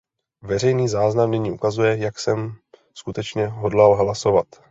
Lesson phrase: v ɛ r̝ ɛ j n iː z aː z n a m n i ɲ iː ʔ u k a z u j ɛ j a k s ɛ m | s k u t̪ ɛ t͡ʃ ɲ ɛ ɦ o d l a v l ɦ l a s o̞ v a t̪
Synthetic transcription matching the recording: v ɛ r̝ ɛ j n iː z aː z n a m n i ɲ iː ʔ u k a z u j ɛ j a k s ɛ m | s k u t̪ ɛ t͡ʃ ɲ ɛ ɦ o d l a l ɦ l a s o̞ v a t̪